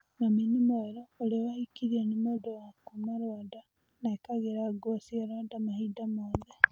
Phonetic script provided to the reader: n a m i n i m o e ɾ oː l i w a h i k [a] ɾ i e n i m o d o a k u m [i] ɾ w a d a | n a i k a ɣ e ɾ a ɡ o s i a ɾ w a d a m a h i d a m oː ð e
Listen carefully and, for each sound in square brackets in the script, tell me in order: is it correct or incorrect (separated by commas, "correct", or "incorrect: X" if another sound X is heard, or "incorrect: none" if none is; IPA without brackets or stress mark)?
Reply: incorrect: i, incorrect: a